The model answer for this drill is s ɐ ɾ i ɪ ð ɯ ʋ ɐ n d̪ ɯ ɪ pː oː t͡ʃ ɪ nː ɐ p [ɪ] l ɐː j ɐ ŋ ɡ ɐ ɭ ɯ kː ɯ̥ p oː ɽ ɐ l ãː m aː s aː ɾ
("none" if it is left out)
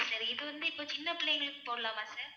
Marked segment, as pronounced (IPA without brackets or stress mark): ɪ